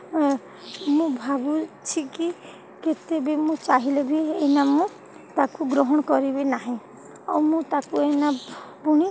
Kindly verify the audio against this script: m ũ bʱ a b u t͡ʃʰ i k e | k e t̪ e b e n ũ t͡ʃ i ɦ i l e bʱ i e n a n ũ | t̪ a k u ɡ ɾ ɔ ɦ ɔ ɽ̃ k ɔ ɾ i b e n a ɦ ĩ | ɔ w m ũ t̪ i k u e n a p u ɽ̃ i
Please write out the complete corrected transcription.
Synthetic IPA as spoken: m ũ bʱ a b u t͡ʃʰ i k i | k e t̪ e b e m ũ t͡ʃ a ɦ i l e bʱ i e n a m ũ | t̪ a k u ɡ ɾ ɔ ɦ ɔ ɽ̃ k ɔ ɾ i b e n a ɦ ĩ | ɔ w m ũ t̪ a k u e n a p u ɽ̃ i